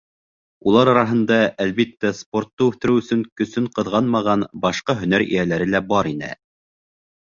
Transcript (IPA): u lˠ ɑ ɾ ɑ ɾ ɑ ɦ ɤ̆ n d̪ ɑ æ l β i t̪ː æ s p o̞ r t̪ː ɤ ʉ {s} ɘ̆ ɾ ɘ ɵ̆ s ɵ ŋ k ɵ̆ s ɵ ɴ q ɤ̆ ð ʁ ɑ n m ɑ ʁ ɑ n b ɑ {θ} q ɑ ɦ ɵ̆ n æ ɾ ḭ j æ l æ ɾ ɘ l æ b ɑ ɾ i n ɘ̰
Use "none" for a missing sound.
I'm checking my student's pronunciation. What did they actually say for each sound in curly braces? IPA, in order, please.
θ, ʃ

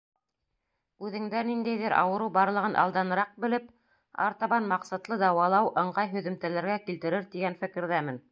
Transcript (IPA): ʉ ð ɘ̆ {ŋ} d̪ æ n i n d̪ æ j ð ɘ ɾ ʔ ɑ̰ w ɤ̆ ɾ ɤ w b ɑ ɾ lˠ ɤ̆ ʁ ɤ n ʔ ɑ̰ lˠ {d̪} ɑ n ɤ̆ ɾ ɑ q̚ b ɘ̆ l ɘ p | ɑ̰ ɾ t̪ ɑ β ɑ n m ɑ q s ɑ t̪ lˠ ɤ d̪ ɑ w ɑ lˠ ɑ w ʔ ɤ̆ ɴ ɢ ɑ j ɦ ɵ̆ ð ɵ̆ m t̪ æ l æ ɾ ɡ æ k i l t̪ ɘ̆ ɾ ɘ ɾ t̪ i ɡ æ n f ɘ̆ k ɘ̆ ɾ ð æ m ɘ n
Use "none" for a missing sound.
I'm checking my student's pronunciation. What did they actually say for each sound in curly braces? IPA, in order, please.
ŋ, d̪

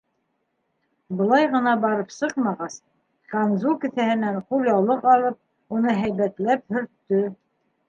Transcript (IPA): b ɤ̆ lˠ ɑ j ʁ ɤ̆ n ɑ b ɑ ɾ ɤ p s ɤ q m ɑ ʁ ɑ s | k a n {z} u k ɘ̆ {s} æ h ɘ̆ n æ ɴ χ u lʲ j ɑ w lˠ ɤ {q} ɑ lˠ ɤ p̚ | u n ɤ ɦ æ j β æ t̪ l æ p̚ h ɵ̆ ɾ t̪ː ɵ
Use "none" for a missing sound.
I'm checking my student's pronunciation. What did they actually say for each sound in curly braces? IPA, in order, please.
z, θ, q

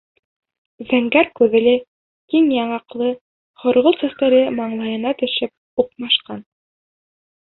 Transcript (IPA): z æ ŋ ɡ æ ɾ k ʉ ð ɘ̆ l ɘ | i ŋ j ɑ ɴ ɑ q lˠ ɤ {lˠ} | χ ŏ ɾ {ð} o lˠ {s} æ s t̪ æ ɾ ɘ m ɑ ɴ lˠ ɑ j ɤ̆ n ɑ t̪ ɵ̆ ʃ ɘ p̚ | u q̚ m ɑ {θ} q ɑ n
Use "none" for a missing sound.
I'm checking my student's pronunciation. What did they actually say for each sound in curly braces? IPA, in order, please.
none, ʁ, s, ʃ

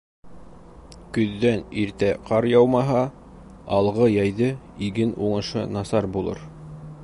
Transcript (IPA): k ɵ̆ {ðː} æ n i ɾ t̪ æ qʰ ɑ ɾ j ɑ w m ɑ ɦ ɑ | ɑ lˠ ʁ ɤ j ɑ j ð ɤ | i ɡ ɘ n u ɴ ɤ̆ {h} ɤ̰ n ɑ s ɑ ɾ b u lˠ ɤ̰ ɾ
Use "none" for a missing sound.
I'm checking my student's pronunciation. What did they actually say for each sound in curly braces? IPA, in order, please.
ðː, ʃ

